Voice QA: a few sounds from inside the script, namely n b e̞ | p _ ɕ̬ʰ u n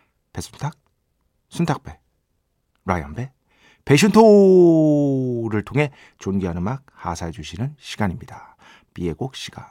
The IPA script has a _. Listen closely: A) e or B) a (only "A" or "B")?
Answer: A